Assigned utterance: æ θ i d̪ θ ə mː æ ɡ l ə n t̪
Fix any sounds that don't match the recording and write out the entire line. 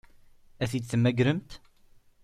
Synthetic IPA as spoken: æ θ i d̪ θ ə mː æ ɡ ɾ ə m t̪